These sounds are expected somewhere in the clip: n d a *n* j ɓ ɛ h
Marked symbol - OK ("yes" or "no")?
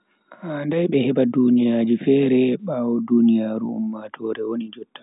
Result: no